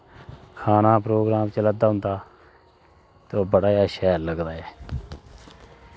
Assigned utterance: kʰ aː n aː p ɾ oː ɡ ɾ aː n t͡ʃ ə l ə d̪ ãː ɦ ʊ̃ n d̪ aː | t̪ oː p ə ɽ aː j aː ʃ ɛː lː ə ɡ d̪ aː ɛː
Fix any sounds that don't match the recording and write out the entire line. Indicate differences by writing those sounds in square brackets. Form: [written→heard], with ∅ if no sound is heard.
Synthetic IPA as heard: kʰ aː n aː p ɾ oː ɡ ɾ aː [n→m] t͡ʃ ə l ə d̪ [ãː→aː] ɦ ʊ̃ n d̪ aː | t̪ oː [p→b] ə ɽ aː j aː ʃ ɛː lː ə ɡ d̪ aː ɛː